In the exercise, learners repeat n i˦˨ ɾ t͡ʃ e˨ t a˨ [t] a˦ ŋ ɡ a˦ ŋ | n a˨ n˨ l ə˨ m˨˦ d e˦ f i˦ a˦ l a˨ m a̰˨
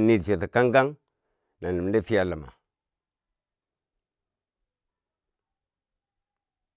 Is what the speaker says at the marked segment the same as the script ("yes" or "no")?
no